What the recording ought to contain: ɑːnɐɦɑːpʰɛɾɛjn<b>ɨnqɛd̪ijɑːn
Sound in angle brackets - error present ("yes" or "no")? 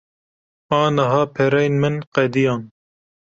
yes